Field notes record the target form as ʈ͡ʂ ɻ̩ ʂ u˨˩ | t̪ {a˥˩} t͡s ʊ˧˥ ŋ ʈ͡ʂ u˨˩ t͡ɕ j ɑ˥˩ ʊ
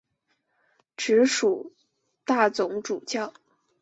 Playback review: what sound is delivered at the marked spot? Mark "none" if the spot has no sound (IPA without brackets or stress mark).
a˥˩